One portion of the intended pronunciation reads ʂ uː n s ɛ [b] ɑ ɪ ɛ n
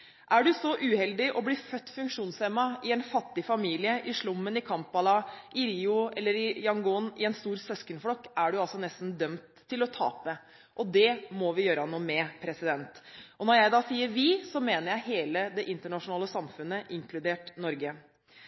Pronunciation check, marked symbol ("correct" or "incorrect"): incorrect